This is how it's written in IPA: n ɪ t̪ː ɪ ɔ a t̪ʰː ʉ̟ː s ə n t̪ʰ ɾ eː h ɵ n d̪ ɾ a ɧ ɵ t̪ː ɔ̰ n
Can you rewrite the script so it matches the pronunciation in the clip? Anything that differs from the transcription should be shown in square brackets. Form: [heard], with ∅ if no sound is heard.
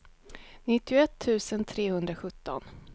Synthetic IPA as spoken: n ɪ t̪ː ɪ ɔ [ɛ] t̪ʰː ʉ̟ː s ə n t̪ʰ ɾ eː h ɵ n d̪ ɾ a ɧ ɵ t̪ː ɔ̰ n

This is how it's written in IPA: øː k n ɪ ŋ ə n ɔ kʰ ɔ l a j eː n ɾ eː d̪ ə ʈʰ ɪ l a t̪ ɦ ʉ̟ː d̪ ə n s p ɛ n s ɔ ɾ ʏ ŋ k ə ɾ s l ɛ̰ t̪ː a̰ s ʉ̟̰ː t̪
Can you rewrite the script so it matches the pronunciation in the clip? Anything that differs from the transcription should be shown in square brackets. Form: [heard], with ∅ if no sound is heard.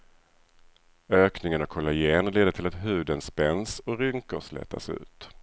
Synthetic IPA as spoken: øː k n ɪ ŋ ə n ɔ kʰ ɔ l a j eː n [l] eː d̪ ə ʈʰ ɪ l a t̪ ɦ ʉ̟ː d̪ ə n s p ɛ n s ɔ ɾ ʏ ŋ k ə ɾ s l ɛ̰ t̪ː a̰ s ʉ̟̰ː t̪

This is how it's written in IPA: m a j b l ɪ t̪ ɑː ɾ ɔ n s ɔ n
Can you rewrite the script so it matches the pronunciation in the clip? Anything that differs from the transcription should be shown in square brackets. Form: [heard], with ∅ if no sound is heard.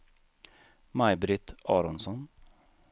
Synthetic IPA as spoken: m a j b [ɾ] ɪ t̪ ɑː ɾ ɔ n s ɔ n

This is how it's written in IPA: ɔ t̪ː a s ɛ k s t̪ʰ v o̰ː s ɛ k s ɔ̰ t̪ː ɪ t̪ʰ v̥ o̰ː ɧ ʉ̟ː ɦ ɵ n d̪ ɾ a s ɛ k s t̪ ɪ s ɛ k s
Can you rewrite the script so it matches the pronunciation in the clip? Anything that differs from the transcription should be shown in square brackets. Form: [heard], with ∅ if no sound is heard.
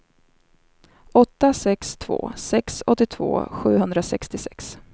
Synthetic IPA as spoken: ɔ t̪ː a s ɛ k s t̪ʰ v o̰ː s ɛ k s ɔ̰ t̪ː ɪ t̪ʰ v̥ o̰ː ɧ ʉ̟ː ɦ ɵ n d̪ ɾ a s ɛ k s t̪ ɪ s ɛ k s

